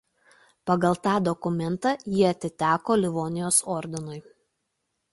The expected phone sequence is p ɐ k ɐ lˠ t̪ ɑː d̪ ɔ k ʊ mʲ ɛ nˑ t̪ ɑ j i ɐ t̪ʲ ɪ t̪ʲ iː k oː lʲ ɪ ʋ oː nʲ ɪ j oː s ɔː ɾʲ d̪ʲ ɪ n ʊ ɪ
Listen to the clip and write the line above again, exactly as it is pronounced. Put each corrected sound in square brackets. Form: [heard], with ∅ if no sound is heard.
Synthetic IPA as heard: p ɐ [ɡ] ɐ lˠ t̪ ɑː d̪ ɔ k ʊ mʲ ɛ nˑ t̪ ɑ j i ɐ t̪ʲ ɪ t̪ʲ [æː] k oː lʲ ɪ ʋ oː nʲ ɪ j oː s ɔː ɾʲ d̪ʲ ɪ n ʊ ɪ